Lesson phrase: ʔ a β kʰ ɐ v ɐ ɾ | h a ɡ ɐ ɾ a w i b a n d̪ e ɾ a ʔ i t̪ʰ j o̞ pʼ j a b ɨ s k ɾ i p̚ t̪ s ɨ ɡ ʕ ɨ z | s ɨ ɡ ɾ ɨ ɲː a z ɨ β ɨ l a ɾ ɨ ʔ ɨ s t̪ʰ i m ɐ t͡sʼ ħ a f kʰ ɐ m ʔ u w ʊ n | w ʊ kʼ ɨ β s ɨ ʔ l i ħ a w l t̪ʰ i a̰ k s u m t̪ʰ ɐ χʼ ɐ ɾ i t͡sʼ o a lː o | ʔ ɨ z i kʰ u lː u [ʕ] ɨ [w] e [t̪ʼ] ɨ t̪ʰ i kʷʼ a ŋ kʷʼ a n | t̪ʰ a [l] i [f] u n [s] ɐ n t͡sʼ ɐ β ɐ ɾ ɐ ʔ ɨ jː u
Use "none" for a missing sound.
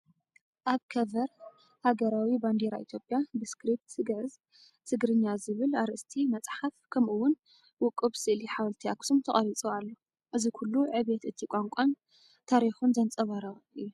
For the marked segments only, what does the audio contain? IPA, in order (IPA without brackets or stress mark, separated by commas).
ʕ, β, t̪, ɾ, x, z